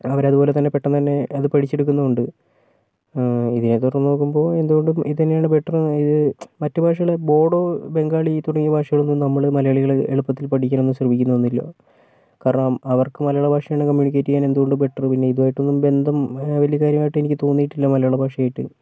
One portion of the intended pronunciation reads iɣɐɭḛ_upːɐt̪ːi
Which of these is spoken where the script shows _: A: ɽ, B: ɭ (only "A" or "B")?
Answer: B